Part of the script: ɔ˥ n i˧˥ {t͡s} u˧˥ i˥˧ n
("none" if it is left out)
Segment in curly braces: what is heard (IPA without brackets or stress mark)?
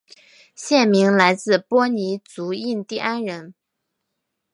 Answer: t͡s